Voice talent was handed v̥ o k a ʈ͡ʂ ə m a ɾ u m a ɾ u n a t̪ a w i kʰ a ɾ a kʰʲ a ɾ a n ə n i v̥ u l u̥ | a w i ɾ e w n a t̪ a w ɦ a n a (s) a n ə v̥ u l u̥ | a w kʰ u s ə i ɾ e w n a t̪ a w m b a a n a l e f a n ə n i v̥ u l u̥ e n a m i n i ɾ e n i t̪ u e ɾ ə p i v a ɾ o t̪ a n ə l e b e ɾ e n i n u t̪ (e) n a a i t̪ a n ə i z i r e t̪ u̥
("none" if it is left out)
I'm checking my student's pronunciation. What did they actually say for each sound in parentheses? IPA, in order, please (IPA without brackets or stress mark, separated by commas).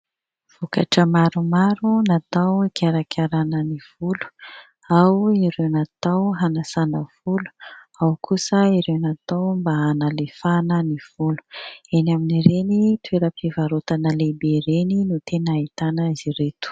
s, e